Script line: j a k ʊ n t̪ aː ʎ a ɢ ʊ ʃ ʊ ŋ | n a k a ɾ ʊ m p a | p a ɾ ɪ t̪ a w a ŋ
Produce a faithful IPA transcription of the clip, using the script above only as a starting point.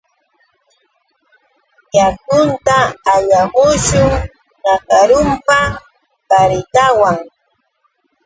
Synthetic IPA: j a k ʊ n t̪ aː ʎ a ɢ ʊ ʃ ʊ ŋ | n a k a ɾ ʊ m p a | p a ɾ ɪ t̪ a w a ŋ